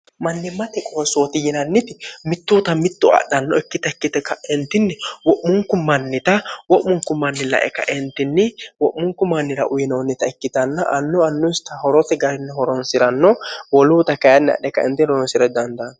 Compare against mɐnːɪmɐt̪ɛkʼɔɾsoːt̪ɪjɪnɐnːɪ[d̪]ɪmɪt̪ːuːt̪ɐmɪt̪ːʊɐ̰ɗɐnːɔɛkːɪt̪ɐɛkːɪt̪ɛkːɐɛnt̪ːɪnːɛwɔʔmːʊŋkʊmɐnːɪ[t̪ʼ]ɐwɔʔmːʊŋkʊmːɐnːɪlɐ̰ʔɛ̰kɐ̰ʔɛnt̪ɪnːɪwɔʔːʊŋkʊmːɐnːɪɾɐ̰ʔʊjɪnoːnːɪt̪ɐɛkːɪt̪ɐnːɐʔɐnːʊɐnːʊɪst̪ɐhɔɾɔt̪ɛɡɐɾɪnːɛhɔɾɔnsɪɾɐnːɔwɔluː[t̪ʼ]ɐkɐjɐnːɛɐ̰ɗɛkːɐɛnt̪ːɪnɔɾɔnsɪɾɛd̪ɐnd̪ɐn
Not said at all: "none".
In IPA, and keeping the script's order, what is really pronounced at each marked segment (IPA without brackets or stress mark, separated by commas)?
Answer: t̪, t̪, t̪